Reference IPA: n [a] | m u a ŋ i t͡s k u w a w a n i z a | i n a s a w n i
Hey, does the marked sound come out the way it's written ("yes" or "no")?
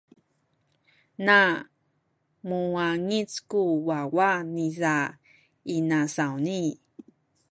yes